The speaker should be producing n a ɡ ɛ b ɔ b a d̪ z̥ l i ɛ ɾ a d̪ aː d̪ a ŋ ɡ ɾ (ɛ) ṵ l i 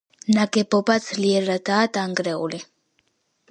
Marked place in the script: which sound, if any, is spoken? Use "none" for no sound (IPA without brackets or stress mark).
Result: ɛ